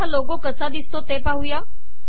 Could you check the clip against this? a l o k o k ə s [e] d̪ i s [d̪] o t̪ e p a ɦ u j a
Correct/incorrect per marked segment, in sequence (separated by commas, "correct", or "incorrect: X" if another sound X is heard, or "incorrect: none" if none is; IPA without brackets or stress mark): incorrect: a, incorrect: t̪